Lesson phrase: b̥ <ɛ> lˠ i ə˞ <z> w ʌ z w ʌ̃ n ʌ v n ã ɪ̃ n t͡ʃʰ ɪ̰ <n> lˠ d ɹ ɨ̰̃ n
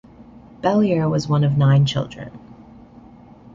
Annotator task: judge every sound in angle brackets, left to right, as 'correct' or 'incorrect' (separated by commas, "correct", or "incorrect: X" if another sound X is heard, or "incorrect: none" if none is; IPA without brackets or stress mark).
correct, incorrect: none, incorrect: none